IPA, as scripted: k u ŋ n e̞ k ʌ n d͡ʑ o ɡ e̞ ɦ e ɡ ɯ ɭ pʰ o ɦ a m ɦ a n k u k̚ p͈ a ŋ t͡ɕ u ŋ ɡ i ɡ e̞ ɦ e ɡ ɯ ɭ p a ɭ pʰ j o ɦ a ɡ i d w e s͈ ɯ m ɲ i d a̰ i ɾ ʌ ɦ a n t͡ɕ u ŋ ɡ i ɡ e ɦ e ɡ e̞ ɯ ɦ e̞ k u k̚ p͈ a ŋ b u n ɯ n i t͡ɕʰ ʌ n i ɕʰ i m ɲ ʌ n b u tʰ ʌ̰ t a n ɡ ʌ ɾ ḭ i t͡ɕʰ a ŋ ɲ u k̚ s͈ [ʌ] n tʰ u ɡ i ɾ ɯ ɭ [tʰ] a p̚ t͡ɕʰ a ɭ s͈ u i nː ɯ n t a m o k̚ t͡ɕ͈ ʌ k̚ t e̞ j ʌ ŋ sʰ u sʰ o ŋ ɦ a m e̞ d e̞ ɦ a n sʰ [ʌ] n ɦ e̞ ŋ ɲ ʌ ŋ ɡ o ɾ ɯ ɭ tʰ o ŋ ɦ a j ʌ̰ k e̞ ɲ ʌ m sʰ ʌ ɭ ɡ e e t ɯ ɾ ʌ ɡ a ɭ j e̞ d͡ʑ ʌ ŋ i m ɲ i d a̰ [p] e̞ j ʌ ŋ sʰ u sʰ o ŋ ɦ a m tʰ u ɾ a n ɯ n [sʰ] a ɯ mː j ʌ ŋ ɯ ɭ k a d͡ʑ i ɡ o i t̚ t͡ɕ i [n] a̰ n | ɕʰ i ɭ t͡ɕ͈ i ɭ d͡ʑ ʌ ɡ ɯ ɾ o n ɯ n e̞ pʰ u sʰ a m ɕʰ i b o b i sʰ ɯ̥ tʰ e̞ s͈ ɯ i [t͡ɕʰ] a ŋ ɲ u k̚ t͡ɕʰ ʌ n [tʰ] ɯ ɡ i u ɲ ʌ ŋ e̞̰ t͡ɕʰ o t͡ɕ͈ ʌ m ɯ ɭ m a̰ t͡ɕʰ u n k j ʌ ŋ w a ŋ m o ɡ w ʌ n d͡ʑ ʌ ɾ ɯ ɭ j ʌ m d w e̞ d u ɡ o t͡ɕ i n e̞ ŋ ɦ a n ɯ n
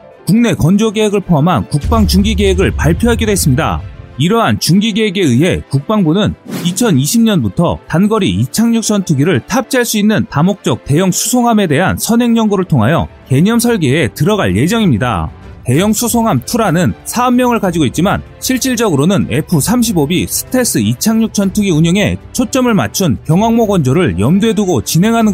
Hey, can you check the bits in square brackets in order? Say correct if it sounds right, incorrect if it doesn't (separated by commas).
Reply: correct, correct, correct, incorrect, correct, incorrect, correct, correct